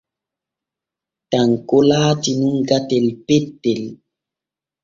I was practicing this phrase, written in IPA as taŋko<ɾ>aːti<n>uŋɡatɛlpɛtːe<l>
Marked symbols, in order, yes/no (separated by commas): no, yes, yes